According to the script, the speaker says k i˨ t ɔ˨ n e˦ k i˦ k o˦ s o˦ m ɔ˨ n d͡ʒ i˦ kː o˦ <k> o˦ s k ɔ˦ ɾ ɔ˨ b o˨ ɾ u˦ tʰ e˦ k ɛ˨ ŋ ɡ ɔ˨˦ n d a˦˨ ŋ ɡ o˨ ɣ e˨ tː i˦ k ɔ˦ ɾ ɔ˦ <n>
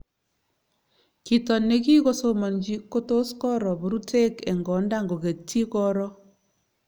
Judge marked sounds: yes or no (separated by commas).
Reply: no, no